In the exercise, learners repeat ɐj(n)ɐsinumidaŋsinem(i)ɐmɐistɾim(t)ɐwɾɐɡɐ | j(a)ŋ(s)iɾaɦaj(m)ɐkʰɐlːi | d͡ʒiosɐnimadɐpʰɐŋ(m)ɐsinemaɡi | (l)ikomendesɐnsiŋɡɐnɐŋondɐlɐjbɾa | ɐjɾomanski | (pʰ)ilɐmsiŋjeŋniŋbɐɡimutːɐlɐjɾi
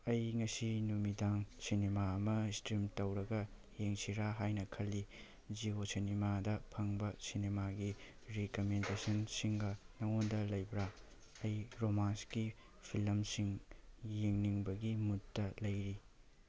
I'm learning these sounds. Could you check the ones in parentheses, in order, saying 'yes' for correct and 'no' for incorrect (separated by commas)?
no, no, yes, no, yes, no, no, no, yes